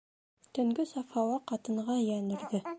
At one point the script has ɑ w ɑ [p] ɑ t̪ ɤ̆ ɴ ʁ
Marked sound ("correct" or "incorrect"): incorrect